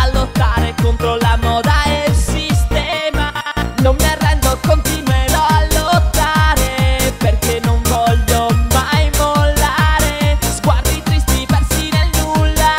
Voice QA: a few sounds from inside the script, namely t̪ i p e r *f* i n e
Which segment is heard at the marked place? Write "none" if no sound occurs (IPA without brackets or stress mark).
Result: s